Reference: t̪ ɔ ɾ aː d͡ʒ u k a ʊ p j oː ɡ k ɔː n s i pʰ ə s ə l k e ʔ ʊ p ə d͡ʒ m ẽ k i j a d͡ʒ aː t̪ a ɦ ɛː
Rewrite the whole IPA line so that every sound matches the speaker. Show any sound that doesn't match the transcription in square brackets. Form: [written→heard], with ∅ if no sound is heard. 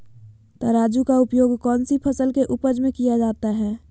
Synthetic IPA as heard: t̪ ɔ ɾ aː d͡ʒ u k a ʊ p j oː ɡ k ɔː n s i pʰ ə s ə l k e ʔ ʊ p ə d͡ʒ m ẽ k i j a d͡ʒ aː t̪ a ɦ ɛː